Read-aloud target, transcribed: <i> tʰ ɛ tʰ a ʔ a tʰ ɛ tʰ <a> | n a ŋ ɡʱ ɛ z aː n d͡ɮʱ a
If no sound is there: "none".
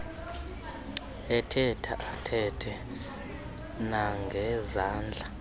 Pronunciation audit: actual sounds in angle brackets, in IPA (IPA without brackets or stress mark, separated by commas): ɛ, ɛ